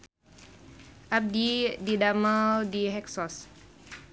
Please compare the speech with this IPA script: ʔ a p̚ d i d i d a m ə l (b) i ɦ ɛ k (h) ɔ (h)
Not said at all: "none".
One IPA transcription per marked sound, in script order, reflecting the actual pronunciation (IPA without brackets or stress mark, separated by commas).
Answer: d, s, s